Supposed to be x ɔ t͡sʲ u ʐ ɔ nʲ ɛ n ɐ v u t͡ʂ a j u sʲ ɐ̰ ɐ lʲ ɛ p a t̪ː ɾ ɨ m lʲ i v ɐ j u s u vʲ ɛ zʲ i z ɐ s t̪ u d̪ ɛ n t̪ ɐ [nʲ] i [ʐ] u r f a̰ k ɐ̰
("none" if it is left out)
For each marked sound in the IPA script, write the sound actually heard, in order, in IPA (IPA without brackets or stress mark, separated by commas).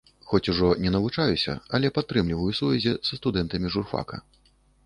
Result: mʲ, ʐ